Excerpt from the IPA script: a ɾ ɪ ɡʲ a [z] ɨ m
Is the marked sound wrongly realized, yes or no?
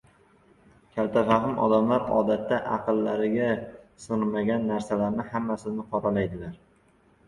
yes